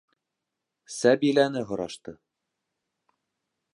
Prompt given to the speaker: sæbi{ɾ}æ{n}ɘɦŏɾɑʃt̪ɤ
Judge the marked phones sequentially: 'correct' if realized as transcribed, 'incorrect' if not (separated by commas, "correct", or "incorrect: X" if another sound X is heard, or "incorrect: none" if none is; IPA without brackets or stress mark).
incorrect: l, correct